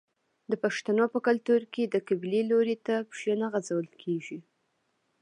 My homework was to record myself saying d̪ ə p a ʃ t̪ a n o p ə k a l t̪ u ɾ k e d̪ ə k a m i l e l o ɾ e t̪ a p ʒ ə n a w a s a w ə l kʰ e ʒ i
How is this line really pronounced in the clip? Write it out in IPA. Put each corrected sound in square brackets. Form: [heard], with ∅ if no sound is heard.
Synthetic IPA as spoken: d̪ ə p a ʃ t̪ a n o p ə k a l t̪ u ɾ k e d̪ ə k a [b] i l e l o ɾ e t̪ a p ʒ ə n a [ɣ] a [z] a w ə l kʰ e ʒ i